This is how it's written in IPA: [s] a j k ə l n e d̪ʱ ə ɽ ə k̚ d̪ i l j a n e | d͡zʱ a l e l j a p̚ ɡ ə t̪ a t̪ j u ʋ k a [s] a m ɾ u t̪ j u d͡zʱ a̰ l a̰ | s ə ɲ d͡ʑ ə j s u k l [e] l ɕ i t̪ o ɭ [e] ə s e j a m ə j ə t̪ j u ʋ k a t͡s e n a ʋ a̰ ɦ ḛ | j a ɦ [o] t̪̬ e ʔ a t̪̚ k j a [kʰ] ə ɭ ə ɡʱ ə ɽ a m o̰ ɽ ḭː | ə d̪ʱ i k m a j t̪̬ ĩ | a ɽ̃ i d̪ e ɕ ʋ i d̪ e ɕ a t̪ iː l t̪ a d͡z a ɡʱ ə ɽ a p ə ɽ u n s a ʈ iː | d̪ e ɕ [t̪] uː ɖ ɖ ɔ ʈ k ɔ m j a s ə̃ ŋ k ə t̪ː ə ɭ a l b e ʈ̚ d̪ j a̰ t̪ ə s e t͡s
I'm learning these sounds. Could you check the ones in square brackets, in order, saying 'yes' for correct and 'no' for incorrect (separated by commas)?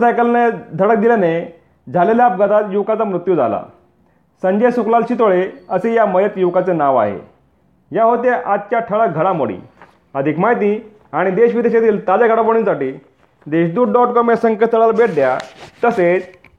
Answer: yes, no, no, yes, yes, no, no